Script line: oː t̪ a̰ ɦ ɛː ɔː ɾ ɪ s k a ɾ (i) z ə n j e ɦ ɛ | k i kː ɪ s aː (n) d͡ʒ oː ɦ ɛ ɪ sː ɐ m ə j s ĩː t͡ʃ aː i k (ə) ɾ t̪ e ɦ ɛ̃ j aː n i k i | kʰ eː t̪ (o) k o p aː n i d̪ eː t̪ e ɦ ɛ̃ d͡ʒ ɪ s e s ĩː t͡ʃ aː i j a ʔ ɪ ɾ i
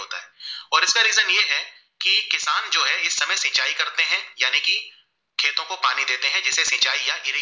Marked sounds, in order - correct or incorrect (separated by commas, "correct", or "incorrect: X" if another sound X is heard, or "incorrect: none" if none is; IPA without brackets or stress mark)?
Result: incorrect: iː, correct, incorrect: ɐ, incorrect: õ